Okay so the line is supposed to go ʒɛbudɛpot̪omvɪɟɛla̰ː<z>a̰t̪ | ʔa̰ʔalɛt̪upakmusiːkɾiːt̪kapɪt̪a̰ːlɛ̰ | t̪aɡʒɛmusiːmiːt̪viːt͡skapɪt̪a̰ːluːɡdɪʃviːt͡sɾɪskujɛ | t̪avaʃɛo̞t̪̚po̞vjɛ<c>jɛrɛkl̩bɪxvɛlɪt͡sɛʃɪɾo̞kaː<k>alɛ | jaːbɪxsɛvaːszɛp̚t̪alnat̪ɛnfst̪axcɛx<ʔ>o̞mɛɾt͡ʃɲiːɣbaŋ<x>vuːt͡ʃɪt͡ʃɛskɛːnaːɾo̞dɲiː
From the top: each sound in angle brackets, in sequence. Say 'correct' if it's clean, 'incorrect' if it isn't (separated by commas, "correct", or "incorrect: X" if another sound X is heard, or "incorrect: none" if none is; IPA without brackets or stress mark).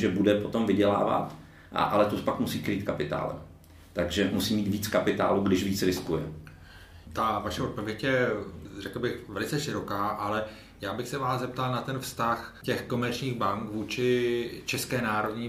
incorrect: v, correct, incorrect: ʔ, incorrect: k, incorrect: k